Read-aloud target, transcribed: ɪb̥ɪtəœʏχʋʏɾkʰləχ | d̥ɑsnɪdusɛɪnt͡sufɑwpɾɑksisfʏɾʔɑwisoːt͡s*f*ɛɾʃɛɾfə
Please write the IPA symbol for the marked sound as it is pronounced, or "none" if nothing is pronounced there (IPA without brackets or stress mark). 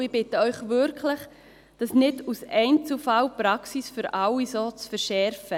f